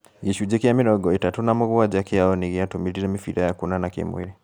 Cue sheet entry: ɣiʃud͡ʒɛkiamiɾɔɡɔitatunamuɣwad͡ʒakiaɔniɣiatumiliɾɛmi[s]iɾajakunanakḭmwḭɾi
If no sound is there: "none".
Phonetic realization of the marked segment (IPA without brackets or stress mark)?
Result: f